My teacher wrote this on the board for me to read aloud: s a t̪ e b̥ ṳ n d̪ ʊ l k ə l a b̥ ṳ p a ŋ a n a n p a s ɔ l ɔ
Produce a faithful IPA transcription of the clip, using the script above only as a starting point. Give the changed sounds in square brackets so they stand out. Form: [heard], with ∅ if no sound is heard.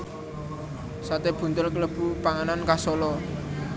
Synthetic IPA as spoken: s a t̪ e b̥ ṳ n [t̪] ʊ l k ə l [ə] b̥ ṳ p a ŋ a n a n [k] a s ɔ l ɔ